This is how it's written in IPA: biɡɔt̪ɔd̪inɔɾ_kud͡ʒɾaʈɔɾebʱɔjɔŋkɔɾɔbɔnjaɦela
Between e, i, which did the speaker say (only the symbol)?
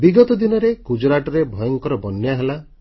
e